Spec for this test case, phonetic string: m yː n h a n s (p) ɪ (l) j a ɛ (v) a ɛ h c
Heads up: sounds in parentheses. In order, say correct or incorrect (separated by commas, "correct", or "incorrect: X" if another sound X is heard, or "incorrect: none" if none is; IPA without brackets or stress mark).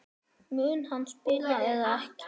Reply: correct, correct, incorrect: ð